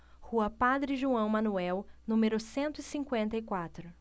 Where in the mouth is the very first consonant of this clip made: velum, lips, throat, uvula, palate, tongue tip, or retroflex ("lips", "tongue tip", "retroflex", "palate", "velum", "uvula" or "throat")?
throat